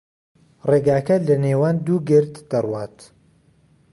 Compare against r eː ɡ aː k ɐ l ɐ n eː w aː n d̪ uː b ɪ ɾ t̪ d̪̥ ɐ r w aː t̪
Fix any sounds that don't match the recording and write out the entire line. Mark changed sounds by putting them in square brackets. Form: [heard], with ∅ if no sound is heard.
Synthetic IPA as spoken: r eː ɡ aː k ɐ l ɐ n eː w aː n d̪ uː [ɡ] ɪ ɾ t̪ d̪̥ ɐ r w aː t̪